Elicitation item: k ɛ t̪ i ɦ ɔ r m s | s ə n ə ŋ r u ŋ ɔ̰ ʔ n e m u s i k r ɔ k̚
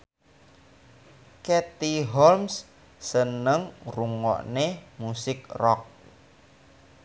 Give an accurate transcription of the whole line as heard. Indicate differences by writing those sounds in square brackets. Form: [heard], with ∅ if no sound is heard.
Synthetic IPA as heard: k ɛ t̪ i ɦ ɔ [l] m s | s ə n ə ŋ r u ŋ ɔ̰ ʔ n e m u s [ɪ] k r ɔ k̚